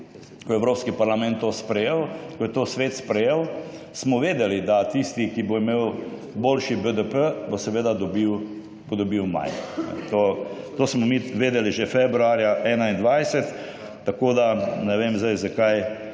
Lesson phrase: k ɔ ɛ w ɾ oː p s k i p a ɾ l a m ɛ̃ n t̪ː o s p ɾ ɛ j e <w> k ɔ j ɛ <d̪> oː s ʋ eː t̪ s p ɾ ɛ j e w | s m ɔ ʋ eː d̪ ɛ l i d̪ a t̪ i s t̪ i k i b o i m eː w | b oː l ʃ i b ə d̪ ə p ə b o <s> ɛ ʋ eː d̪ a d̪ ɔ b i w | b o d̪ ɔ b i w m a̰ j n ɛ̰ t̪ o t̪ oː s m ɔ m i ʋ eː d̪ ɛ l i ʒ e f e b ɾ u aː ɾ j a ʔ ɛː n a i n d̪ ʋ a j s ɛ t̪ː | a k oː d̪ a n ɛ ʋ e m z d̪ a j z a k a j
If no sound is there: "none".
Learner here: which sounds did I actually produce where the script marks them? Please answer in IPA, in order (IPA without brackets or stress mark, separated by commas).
w, t̪, s